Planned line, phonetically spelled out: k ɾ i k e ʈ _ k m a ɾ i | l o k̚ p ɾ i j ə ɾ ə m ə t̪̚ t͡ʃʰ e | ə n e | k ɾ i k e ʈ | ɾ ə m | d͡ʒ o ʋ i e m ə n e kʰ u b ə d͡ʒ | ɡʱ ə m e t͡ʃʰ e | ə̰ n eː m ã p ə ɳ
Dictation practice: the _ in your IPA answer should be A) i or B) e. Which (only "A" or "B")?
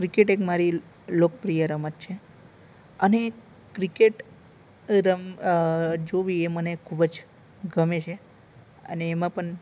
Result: B